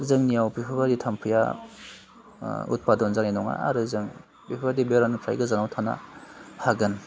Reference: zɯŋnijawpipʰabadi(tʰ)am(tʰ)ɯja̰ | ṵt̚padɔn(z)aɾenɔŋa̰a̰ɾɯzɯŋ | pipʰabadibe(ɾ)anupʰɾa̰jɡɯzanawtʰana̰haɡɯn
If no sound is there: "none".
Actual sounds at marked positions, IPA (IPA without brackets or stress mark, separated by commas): tʰ, pʰ, z, ɾ